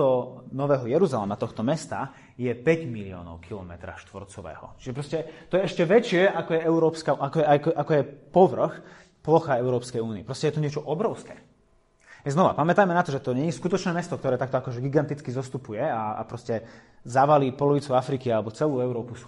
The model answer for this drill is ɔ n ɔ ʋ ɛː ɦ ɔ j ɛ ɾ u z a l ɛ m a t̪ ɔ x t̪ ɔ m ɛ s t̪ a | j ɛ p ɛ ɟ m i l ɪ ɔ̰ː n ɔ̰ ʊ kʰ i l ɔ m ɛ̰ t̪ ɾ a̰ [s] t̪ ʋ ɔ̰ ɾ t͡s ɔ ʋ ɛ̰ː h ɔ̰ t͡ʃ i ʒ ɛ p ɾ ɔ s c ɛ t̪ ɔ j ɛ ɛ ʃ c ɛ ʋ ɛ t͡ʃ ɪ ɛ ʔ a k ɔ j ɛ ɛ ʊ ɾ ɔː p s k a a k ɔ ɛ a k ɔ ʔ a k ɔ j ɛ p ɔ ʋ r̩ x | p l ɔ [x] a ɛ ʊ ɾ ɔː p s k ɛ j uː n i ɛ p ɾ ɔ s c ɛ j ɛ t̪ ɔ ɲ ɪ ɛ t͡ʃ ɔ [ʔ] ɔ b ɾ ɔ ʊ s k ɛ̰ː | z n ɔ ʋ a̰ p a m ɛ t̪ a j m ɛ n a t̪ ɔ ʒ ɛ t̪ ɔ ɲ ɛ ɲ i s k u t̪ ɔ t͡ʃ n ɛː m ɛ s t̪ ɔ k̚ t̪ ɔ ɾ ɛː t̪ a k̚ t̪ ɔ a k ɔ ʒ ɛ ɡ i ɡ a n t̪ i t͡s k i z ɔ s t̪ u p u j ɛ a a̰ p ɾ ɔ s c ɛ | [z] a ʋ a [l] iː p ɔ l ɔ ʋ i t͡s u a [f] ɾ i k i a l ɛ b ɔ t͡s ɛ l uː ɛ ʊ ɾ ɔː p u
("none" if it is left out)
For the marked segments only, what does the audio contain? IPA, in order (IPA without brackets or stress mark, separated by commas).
ʃ, x, ʔ, z, l, f